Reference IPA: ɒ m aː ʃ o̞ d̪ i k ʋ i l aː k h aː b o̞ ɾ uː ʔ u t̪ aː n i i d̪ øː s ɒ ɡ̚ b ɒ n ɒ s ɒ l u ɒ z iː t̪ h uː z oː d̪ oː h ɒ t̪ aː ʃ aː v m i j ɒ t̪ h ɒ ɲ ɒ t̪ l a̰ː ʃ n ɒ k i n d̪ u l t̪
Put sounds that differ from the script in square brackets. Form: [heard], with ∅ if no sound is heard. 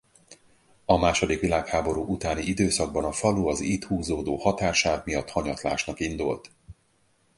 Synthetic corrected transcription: ɒ m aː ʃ o̞ d̪ i k ʋ i l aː k h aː b o̞ ɾ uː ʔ u t̪ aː n i i d̪ øː s ɒ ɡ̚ b ɒ n ɒ [f] ɒ l u ɒ z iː t̪ h uː z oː d̪ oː h ɒ t̪ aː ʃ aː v m i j ɒ t̪ h ɒ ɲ ɒ t̪ l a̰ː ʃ n ɒ k i n d̪ u l t̪